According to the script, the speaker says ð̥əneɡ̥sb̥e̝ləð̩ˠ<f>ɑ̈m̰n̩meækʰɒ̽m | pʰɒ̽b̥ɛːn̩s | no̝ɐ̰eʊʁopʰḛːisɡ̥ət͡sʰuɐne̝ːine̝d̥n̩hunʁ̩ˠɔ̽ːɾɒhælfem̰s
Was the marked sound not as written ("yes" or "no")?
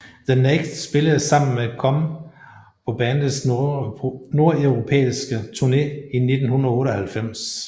yes